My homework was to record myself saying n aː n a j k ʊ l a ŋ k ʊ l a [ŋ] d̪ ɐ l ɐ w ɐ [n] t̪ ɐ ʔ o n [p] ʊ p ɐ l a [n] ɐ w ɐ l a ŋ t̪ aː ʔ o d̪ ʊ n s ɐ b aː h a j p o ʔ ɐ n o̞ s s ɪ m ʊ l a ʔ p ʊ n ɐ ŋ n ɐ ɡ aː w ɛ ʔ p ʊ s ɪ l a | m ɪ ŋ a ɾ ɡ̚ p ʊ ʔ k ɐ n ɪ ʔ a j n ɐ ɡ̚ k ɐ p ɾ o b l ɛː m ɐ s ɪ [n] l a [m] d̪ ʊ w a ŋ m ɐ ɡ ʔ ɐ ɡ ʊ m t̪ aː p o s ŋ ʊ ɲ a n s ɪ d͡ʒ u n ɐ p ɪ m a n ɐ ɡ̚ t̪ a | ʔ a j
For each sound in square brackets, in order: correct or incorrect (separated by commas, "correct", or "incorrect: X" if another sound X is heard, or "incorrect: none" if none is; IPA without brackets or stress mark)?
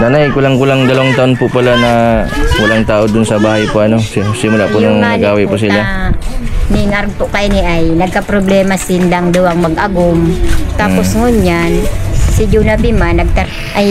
correct, incorrect: ŋ, correct, correct, correct, incorrect: ŋ